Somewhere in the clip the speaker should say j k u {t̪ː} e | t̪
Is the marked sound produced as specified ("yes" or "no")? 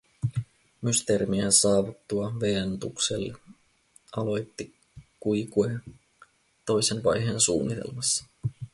no